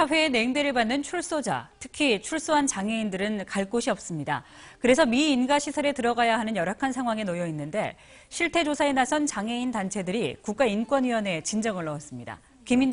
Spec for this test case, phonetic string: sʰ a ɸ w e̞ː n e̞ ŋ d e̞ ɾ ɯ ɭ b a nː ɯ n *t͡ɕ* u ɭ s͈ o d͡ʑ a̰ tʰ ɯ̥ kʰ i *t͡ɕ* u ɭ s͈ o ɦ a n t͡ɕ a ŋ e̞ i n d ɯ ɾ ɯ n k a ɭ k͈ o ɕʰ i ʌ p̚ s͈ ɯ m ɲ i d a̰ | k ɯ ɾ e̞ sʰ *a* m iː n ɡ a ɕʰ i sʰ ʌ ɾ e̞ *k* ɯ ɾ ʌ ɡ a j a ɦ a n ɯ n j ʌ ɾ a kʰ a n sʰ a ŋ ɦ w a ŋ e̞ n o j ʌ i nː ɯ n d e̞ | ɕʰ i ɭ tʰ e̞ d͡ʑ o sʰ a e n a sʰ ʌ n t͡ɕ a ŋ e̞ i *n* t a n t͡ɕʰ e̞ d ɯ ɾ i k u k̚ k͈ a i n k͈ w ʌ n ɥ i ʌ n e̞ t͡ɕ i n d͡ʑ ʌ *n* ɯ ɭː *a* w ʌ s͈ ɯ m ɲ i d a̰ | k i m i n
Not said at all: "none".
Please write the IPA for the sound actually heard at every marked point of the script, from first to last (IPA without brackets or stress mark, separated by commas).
t͡ɕʰ, t͡ɕʰ, ʌ, t, n, ŋ, ʌ